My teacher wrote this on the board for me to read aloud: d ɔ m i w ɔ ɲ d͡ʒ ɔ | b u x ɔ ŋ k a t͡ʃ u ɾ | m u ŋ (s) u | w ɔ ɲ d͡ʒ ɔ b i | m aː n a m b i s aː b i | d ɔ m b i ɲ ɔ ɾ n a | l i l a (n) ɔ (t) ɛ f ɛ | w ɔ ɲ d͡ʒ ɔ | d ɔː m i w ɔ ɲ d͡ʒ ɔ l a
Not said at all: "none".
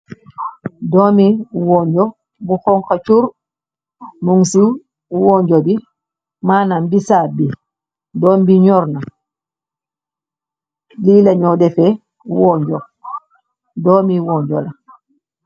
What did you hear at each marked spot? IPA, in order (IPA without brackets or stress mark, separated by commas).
s, ɲ, d